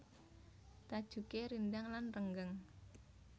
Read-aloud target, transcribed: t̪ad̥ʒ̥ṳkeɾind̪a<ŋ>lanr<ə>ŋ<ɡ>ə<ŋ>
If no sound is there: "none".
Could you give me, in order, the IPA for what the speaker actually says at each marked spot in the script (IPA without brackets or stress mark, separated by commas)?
ŋ, ə, ɡ, ŋ